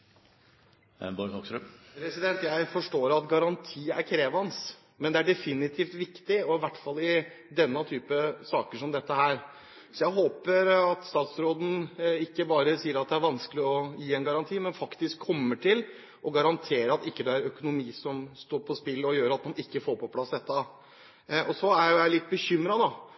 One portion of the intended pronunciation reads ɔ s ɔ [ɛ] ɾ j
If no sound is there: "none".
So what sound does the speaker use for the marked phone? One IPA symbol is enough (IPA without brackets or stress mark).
æ